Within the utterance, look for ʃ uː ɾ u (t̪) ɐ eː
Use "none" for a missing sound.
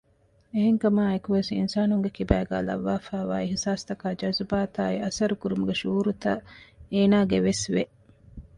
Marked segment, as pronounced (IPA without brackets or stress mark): t̪